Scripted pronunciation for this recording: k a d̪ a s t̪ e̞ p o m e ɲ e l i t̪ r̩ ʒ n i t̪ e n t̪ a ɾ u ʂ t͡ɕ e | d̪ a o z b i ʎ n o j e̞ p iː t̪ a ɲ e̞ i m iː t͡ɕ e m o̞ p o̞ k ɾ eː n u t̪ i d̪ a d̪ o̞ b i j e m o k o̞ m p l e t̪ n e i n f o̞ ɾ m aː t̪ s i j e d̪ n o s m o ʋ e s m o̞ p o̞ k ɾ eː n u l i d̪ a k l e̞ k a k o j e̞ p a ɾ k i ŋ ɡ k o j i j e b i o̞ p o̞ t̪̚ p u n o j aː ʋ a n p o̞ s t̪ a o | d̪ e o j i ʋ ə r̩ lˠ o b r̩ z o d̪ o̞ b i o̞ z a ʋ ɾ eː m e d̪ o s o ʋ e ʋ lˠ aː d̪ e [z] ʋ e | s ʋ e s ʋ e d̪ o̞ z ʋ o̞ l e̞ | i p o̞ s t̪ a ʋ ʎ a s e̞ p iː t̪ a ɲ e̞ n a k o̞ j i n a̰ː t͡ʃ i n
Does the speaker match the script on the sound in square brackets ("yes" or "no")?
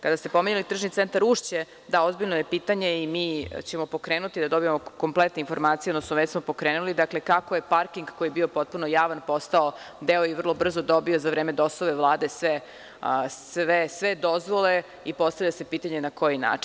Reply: no